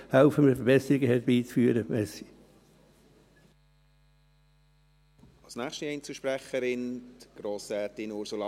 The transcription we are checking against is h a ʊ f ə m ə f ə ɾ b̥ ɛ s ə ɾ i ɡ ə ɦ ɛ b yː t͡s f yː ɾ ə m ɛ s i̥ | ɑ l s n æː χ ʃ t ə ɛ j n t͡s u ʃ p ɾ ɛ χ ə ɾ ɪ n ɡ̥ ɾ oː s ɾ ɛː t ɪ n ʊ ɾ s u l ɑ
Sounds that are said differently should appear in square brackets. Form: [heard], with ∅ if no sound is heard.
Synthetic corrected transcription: h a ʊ f ə m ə f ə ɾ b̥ ɛ s ə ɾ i ɡ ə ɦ ɛ b [iː] t͡s f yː ɾ ə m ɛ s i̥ | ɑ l s n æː χ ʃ t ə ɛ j n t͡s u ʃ p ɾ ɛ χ ə ɾ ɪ n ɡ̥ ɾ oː s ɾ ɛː t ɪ n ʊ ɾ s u l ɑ